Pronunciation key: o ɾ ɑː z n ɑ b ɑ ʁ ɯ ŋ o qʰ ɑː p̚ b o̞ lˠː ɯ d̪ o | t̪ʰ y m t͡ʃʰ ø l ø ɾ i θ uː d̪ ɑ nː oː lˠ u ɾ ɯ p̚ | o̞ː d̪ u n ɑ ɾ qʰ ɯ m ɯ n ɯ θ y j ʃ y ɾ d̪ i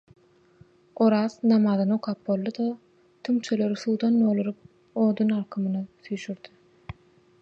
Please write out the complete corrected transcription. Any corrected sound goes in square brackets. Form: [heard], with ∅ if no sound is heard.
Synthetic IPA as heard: o ɾ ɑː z n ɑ [m] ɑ [ð] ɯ [n] o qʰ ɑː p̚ b o̞ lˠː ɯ d̪ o | t̪ʰ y m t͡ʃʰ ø l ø ɾ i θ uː d̪ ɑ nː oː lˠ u ɾ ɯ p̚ | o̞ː d̪ u n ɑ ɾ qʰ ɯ m ɯ n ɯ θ y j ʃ y ɾ d̪ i